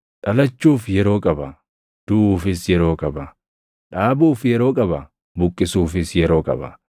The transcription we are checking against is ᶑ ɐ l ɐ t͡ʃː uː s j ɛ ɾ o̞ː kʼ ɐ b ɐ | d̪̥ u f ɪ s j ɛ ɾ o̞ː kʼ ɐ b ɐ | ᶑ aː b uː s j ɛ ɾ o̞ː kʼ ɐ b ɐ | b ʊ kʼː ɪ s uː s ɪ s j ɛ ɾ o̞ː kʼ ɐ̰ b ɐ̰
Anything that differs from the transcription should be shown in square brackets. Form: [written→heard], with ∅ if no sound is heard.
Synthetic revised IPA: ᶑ ɐ l ɐ t͡ʃː uː [s→f] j ɛ ɾ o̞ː kʼ ɐ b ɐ | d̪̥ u f ɪ s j ɛ ɾ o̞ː kʼ ɐ b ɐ | ᶑ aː b uː [s→f] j ɛ ɾ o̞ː kʼ ɐ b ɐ | b ʊ kʼː ɪ s uː [s→f] ɪ s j ɛ ɾ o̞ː kʼ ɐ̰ b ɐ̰